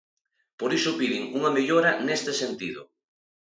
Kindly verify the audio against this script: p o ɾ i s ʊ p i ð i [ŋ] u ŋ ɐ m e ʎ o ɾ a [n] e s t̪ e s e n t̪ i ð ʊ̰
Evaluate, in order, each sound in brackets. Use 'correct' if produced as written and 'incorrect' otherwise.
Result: correct, correct

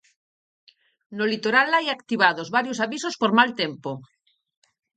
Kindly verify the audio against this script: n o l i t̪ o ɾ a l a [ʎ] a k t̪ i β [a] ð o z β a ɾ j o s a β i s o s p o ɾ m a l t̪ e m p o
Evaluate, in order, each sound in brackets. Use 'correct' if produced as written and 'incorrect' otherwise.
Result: incorrect, correct

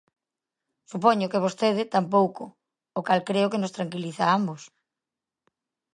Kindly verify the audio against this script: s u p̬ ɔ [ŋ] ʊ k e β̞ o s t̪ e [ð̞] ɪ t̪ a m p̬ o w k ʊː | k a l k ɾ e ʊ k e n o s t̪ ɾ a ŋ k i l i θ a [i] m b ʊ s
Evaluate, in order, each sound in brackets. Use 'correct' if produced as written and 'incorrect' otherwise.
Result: incorrect, correct, incorrect

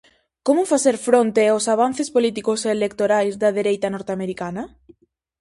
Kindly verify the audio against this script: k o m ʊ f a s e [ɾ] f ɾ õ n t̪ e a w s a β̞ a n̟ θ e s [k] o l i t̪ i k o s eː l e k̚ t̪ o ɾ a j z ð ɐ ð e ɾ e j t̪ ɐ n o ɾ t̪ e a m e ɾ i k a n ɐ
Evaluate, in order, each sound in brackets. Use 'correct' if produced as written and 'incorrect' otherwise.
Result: correct, incorrect

